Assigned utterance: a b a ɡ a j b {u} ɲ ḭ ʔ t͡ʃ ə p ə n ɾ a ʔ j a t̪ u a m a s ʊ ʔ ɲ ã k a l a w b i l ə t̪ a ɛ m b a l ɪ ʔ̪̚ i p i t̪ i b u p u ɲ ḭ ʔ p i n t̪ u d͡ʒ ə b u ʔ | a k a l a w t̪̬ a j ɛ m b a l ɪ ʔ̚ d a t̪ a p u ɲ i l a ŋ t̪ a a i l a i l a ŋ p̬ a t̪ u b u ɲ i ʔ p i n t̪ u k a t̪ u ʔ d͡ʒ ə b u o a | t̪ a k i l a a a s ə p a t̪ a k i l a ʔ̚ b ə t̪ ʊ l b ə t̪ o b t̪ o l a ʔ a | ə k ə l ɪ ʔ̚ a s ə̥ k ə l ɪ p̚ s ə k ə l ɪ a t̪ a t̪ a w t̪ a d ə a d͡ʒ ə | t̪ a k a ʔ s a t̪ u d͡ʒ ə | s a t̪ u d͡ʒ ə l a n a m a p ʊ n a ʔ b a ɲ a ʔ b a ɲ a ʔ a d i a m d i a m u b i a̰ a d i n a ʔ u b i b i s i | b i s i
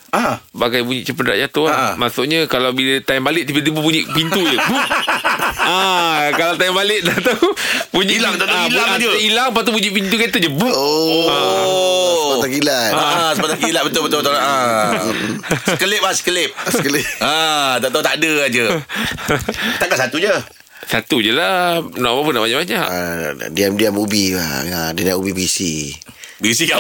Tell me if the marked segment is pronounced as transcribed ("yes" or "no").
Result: yes